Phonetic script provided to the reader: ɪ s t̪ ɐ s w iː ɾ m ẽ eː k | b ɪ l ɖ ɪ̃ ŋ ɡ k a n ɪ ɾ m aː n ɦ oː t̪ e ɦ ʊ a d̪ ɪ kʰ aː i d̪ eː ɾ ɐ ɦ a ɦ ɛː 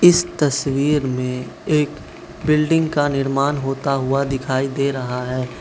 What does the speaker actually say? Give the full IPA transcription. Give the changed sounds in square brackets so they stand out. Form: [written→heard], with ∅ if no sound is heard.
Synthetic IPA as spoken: ɪ s t̪ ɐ s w iː ɾ m ẽ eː k | b ɪ l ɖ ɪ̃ ŋ ɡ k a n ɪ ɾ m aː n ɦ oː t̪ [e→a] ɦ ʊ a d̪ ɪ kʰ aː i d̪ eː ɾ ɐ ɦ a ɦ ɛː